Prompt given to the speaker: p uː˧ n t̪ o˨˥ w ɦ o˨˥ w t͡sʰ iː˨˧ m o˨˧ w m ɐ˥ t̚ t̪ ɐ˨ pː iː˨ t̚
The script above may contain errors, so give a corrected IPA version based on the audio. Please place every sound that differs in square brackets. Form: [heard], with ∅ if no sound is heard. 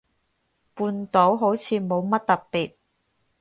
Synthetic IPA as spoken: p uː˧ n t̪ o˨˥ w ɦ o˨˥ w t͡sʰ iː˨˧ m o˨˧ w m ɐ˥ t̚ t̪ ɐ˨ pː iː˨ t̚